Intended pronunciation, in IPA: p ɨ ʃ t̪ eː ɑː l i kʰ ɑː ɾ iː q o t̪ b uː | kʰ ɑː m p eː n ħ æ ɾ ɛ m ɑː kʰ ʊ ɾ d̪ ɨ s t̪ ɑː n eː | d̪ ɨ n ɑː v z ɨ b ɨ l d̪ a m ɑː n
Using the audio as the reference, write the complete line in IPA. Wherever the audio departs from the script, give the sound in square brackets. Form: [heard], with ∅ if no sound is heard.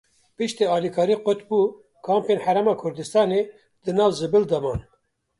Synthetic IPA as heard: p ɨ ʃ t̪ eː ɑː l i kʰ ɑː ɾ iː q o t̪ b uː | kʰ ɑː m p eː n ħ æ ɾ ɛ m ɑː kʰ ʊ ɾ d̪ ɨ s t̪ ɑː n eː | d̪ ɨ n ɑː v z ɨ b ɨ l d̪ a m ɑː n